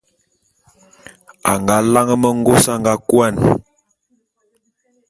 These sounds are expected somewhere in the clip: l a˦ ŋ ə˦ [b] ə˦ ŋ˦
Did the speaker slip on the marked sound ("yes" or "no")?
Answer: yes